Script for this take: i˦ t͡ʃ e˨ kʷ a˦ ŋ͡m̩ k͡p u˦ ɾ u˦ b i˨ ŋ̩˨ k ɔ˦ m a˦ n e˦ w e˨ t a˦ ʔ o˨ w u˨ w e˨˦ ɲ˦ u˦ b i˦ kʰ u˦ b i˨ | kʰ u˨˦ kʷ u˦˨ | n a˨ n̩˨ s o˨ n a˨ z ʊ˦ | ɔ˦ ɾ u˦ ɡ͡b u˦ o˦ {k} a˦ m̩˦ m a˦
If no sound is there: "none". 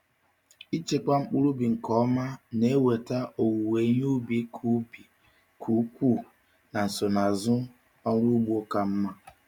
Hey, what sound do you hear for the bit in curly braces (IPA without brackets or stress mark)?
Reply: k